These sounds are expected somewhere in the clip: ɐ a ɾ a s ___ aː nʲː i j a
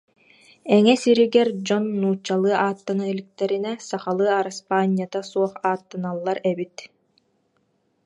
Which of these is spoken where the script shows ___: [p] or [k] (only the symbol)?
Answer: p